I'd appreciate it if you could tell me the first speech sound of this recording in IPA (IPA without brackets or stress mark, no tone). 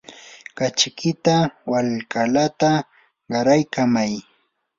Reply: k